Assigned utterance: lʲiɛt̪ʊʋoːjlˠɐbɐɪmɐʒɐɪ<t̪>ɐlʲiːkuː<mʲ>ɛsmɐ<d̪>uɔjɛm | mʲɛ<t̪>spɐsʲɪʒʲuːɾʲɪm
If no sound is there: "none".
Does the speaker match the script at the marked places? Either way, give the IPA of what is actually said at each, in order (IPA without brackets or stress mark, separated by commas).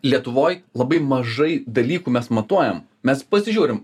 d̪, mʲ, t̪, none